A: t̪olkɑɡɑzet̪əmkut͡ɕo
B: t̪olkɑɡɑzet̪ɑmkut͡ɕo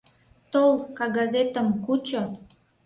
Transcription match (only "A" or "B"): A